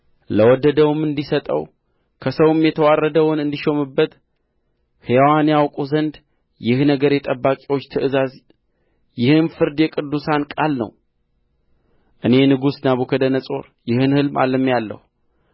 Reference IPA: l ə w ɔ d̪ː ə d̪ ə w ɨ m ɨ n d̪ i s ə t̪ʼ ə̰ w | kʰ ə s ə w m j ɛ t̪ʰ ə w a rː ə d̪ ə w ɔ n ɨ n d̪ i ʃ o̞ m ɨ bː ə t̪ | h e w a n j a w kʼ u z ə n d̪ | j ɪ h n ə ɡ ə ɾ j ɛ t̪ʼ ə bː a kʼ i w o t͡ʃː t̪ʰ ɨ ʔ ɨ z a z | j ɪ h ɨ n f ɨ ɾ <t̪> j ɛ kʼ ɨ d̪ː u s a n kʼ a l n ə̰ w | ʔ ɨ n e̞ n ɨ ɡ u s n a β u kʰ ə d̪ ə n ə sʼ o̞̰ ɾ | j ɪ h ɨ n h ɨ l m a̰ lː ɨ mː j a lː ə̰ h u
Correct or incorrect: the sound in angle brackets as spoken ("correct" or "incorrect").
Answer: incorrect